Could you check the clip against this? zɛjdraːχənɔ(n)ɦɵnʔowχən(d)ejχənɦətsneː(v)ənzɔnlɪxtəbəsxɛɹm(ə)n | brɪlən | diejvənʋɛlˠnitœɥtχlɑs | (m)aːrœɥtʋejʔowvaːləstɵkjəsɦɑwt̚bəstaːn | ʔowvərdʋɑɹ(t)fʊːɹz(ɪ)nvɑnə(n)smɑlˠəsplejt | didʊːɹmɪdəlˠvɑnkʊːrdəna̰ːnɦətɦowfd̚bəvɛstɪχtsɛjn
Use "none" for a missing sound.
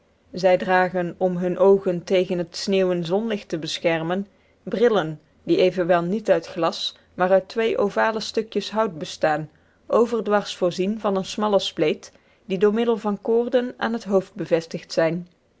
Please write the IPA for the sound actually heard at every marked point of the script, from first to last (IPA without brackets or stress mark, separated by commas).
m, t, w, ə, m, s, i, n